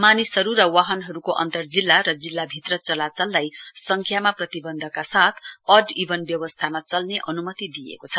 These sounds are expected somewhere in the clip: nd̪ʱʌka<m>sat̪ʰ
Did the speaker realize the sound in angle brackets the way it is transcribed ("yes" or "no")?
no